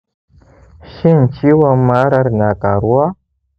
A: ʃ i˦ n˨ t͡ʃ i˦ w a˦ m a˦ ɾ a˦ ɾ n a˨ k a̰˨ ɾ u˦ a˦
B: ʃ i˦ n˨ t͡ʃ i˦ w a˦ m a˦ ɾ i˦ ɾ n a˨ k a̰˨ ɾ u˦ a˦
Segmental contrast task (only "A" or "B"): A